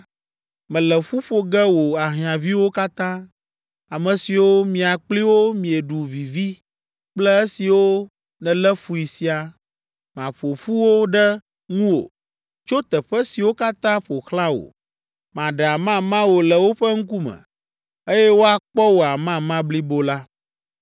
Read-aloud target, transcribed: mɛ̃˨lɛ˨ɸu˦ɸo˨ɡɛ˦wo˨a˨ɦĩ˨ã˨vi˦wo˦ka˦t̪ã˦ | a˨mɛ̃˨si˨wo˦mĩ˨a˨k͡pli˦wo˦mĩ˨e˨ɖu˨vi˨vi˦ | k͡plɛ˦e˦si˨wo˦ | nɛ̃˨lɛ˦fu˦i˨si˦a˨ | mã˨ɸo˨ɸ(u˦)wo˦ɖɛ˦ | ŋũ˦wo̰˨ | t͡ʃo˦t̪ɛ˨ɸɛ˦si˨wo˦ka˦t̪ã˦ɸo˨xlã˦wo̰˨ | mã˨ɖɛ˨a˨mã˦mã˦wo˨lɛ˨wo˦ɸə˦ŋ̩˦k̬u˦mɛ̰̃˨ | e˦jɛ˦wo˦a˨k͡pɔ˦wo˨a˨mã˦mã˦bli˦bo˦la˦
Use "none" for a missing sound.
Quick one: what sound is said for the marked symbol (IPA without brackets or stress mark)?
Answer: u˦